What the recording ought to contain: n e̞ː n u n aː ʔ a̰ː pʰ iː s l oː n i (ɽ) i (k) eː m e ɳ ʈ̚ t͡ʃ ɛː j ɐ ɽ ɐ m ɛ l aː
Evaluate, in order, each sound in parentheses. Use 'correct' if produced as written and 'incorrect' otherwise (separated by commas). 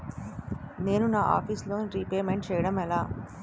incorrect, incorrect